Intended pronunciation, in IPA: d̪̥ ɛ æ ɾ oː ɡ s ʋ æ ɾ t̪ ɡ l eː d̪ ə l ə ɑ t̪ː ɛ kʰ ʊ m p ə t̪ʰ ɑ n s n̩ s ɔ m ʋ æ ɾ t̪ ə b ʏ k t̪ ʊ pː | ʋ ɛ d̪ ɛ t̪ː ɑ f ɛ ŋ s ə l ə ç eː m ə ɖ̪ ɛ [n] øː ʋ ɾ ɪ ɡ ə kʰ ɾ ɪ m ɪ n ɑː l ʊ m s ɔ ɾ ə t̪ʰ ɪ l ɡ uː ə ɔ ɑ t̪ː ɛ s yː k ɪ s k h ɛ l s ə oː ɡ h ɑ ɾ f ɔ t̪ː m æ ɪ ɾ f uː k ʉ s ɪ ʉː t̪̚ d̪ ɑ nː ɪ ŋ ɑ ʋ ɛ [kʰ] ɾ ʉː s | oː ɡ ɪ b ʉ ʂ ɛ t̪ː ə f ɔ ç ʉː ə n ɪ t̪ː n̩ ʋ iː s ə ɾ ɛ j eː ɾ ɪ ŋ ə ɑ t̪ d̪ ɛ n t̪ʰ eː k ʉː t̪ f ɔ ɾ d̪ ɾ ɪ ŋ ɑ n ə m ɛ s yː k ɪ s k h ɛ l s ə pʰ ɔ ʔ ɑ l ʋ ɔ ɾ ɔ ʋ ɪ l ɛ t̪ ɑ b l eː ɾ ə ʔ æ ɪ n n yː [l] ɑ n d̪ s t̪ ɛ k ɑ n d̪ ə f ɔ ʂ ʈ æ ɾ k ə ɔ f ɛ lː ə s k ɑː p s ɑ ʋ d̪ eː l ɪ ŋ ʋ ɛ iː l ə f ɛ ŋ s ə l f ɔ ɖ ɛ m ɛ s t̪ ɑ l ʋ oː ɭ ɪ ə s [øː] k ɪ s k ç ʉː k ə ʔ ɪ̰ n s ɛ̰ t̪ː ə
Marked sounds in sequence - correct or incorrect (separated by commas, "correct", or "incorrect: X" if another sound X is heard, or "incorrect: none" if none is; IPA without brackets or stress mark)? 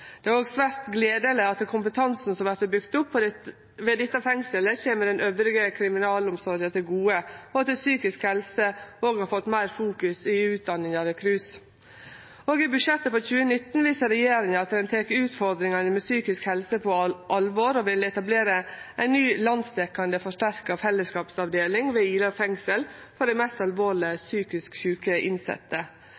correct, correct, correct, incorrect: yː